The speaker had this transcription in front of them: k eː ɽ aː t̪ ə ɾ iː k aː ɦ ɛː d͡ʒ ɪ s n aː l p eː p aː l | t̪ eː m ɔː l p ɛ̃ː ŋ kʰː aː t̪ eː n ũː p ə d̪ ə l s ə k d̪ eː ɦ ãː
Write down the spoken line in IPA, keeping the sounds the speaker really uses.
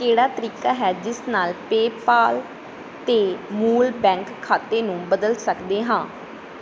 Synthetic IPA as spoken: k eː ɽ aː t̪ ə ɾ iː k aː ɦ ɛː d͡ʒ ɪ s n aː l p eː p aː l | t̪ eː m uː l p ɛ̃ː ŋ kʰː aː t̪ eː n ũː b ə d̪ ə l s ə k d̪ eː ɦ ãː